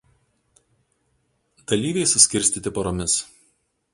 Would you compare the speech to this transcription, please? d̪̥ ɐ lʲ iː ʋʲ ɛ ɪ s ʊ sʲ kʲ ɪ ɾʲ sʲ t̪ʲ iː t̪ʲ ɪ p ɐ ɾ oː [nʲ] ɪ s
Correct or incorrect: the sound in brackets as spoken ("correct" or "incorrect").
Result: incorrect